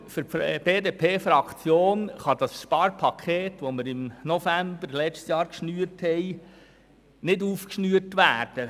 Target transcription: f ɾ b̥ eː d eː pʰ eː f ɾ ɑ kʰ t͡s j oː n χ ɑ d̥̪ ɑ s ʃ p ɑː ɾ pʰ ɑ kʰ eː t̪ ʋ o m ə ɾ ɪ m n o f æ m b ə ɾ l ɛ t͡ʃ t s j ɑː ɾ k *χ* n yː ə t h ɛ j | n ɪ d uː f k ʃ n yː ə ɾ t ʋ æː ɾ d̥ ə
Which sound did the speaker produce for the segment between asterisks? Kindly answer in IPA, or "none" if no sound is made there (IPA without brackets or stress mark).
ʃ